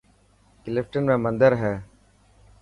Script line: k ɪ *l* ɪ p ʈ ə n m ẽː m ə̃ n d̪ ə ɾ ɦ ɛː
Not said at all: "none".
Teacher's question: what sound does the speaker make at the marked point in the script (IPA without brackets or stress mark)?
l